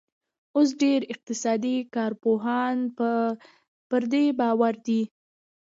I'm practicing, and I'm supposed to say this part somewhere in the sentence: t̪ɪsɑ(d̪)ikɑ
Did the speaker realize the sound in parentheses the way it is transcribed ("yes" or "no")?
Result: yes